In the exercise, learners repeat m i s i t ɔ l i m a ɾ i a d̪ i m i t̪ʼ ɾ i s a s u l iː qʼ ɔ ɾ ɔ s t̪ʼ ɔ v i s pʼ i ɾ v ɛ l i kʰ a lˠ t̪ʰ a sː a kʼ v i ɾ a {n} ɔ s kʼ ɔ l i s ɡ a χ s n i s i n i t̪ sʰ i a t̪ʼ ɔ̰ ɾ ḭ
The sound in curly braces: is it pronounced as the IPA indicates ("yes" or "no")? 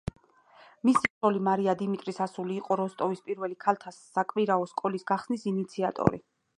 no